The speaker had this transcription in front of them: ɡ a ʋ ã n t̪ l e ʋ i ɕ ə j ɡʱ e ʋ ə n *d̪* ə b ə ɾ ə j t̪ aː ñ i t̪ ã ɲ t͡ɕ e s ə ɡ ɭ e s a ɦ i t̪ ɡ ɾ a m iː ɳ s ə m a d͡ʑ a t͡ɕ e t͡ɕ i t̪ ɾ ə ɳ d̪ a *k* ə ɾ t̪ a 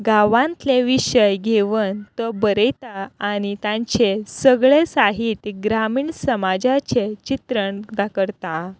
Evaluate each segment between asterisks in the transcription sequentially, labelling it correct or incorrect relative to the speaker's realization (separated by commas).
incorrect, correct